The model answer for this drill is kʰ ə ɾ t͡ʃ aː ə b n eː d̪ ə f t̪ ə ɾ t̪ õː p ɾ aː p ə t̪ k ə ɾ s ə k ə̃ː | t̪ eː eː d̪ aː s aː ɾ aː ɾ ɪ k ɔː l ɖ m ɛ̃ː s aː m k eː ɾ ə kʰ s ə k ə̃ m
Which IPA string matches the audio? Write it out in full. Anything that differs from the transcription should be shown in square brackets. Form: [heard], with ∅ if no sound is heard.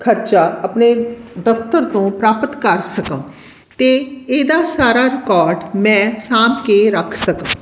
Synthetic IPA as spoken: kʰ ə ɾ t͡ʃ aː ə [p] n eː d̪ ə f t̪ ə ɾ t̪ õː p ɾ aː p ə t̪ k ə ɾ s ə k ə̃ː | t̪ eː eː d̪ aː s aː ɾ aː ɾ ɪ k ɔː [ɾ] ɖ m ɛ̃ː s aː m k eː ɾ ə kʰ s ə k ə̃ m